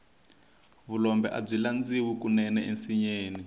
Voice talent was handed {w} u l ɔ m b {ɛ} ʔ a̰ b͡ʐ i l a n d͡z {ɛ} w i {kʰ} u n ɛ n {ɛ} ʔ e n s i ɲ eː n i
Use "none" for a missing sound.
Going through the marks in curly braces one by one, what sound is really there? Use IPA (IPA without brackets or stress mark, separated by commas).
β, ɛ, i, k, ɛ